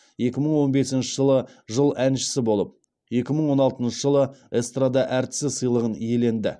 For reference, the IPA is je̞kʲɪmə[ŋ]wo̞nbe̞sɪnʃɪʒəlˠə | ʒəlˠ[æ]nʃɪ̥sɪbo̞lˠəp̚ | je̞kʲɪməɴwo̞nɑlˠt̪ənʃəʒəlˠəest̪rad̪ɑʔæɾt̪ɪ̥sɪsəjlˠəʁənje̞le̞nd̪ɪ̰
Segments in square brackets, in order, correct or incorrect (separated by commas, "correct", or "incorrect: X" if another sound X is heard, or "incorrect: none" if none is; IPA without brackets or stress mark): incorrect: ɴ, correct